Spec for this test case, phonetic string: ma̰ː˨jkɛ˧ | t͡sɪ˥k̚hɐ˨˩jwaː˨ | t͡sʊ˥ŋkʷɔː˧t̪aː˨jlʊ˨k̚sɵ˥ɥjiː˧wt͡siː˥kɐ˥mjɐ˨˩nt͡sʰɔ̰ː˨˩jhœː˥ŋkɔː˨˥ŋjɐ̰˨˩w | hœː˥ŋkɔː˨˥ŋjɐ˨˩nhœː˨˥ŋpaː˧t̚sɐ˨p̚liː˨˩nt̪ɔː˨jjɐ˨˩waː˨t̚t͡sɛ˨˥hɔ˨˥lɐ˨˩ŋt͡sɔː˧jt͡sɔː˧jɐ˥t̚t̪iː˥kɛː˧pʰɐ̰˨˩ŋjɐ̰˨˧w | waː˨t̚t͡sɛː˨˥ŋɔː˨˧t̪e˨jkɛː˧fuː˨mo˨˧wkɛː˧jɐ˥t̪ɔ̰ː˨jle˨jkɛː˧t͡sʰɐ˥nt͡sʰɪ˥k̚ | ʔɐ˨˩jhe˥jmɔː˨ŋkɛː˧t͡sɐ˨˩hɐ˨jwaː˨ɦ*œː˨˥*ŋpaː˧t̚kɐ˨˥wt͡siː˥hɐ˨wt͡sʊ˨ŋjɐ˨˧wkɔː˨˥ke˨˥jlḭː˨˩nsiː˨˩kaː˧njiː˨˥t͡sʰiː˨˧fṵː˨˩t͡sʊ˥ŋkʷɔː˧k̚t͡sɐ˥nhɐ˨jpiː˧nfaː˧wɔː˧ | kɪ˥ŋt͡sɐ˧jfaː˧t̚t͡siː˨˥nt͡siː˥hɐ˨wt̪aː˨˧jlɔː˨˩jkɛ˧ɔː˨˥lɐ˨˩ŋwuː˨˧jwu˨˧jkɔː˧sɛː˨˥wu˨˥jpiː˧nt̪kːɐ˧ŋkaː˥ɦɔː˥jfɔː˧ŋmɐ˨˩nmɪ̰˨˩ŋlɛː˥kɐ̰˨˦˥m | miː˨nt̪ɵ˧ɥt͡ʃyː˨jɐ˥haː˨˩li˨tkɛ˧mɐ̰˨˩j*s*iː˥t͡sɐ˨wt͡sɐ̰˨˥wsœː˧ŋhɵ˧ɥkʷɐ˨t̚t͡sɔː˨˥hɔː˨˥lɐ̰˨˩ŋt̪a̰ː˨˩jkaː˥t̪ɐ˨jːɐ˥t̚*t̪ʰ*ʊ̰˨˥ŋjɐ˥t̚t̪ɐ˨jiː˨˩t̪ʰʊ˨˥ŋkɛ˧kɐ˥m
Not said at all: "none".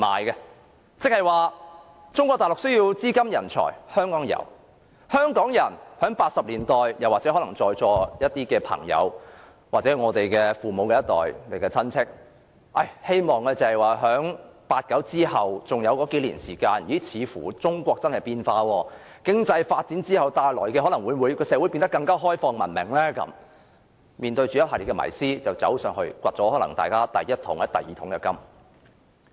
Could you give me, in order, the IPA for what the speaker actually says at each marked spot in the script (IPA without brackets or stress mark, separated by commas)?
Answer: œː˨˥, s, t̪ʰ